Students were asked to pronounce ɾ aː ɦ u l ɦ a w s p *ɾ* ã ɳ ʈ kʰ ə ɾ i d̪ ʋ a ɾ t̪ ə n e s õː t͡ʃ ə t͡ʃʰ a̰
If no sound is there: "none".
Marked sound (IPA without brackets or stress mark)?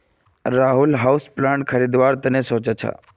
l